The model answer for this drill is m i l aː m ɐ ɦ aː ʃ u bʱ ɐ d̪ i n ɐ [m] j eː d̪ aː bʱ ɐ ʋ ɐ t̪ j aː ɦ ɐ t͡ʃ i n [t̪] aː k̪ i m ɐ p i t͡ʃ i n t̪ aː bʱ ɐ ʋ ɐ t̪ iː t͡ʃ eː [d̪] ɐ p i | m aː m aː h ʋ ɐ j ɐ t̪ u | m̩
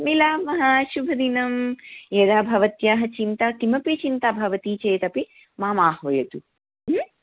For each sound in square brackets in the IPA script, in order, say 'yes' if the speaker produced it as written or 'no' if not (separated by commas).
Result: yes, yes, no